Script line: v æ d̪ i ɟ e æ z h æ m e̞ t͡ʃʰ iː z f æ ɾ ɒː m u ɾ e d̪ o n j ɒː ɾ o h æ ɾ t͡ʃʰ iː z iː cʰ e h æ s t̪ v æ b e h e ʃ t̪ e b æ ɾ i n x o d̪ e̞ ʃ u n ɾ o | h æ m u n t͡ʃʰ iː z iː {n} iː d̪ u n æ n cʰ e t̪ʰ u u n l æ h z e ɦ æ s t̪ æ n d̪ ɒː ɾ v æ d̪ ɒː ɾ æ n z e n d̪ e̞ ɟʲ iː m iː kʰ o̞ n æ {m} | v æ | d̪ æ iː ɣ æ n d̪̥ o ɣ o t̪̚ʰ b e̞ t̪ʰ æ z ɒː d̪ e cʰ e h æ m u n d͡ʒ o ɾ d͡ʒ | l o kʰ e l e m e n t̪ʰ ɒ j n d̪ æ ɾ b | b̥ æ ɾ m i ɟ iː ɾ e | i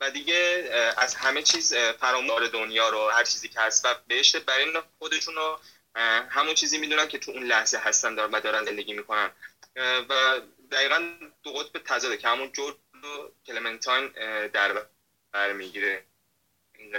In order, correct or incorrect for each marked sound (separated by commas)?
incorrect, incorrect